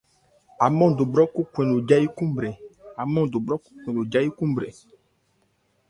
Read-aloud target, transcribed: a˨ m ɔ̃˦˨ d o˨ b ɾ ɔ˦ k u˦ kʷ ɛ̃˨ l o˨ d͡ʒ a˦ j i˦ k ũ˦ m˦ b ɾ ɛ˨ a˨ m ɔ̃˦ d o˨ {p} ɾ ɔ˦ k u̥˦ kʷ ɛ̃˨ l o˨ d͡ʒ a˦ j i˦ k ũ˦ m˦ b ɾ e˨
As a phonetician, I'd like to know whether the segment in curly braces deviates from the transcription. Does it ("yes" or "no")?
yes